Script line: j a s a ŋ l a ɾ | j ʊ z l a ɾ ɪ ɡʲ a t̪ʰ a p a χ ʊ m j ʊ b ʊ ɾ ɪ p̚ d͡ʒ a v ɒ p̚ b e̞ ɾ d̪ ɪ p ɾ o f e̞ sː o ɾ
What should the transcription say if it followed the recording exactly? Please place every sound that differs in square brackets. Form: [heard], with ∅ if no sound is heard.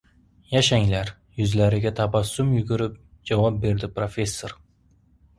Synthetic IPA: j a [ʃ] a ŋ l a ɾ | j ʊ z l a ɾ ɪ ɡʲ a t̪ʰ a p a [s] ʊ m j ʊ [ɡ] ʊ ɾ ɪ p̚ d͡ʒ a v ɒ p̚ b e̞ ɾ d̪ ɪ p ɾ o f e̞ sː o ɾ